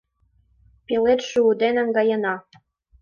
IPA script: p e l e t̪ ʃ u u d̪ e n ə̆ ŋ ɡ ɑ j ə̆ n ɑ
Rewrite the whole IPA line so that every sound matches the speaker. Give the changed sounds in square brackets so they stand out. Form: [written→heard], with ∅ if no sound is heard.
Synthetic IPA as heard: p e l e t̪ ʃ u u d̪ e n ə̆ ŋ ɡ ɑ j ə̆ n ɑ